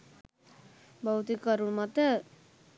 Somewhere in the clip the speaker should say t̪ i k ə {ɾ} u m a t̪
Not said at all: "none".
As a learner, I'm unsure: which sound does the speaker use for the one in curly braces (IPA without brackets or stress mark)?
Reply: ɾ